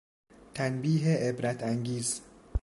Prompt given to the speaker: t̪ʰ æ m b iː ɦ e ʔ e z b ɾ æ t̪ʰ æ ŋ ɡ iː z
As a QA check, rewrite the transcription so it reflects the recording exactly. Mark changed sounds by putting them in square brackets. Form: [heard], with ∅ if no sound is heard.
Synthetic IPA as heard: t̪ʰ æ [n] b iː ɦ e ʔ e [∅] b ɾ æ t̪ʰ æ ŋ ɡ iː z